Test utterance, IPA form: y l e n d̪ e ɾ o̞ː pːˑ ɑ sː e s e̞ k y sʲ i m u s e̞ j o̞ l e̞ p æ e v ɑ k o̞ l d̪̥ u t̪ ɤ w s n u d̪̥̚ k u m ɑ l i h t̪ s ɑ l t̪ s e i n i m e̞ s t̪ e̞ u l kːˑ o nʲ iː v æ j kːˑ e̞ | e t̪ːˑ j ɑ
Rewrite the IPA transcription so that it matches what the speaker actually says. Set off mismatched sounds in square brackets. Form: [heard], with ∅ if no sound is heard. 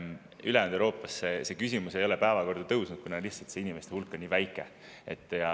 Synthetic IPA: y l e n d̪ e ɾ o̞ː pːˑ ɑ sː e s e̞ k y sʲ i m u s e̞ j o̞ l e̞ p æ e v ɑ k o̞ [r] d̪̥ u t̪ ɤ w s n u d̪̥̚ k u [n] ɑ l i h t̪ s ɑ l t̪ s e i n i m e̞ s t̪ e̞ u l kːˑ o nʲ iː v æ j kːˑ e̞ | e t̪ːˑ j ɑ